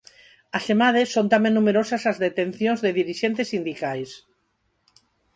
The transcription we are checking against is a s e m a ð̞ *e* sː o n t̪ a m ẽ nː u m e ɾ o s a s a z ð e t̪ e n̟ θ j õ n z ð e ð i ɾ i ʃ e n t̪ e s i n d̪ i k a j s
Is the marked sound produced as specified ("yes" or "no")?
yes